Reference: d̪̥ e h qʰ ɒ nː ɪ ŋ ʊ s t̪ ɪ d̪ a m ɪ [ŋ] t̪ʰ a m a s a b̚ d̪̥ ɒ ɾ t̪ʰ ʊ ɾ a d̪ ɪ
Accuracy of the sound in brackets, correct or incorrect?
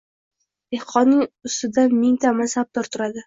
correct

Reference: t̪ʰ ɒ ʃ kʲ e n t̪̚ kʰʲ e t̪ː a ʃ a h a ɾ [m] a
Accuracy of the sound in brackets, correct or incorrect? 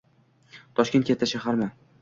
correct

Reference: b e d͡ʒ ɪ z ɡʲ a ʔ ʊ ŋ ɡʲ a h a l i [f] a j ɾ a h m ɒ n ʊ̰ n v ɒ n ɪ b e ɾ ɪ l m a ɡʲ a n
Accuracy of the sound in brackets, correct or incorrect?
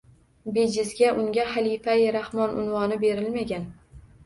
correct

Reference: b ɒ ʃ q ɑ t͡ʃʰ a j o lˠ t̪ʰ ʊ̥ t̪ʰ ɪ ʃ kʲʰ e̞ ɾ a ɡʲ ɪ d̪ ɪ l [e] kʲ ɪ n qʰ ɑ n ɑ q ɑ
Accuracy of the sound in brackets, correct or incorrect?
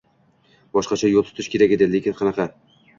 correct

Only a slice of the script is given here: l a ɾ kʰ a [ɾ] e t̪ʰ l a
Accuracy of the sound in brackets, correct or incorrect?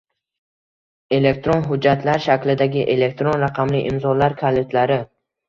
incorrect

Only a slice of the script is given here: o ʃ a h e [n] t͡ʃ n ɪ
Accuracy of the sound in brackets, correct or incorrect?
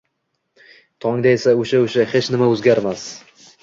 incorrect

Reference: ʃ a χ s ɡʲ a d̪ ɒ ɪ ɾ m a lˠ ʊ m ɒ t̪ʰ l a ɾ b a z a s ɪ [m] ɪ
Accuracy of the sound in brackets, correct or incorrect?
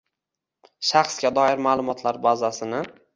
incorrect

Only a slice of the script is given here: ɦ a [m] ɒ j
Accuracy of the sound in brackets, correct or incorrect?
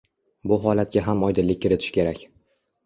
correct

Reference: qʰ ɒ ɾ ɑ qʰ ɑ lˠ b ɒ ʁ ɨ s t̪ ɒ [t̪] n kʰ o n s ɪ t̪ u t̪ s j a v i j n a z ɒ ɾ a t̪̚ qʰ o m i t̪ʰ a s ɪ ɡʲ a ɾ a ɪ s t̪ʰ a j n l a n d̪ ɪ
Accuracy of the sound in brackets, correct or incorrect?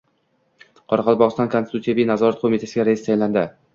incorrect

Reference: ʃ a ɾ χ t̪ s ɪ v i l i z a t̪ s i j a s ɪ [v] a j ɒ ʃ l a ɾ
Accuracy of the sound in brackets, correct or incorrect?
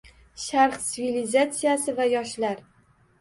correct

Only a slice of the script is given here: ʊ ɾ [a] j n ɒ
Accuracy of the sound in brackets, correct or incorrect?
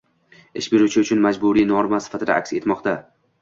incorrect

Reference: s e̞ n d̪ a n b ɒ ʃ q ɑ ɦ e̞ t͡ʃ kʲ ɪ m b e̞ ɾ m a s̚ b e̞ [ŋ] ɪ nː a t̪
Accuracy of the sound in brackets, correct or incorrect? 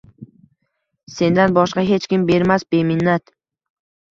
incorrect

